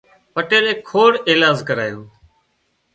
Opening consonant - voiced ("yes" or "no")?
no